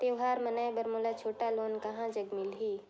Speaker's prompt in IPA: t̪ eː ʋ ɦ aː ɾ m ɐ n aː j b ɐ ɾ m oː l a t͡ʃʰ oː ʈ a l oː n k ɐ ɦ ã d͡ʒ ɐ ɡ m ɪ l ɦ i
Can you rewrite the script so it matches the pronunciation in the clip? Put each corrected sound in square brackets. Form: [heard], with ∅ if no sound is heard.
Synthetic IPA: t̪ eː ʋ ɦ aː ɾ m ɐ n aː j b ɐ ɾ m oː l a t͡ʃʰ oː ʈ a l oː n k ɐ ɦ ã d͡ʒ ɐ ɡ m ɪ l ɦ i